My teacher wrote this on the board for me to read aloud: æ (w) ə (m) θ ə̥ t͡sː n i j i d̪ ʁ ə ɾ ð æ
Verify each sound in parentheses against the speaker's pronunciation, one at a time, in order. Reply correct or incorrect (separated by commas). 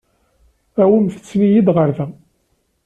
correct, correct